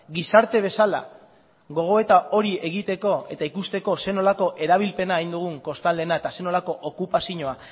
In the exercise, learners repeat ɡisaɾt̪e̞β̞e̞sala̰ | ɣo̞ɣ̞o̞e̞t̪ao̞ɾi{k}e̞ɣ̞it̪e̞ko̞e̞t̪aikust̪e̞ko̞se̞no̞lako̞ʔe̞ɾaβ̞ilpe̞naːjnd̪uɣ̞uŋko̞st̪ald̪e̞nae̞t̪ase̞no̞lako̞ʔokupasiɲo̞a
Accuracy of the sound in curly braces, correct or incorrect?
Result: incorrect